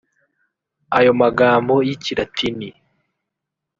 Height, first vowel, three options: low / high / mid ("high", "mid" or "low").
low